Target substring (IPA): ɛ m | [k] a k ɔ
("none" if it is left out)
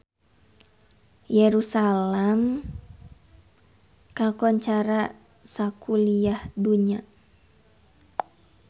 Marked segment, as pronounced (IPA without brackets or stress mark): k